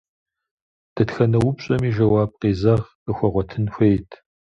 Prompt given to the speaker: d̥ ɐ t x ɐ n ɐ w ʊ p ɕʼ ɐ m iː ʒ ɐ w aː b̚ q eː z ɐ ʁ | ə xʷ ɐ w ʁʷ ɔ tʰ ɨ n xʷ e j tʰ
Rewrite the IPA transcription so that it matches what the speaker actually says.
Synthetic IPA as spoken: d̥ ɐ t x ɐ n ɐ w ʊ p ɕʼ ɐ m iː ʒ ɐ w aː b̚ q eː z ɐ ʁ | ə xʷ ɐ ʁʷ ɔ tʰ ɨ n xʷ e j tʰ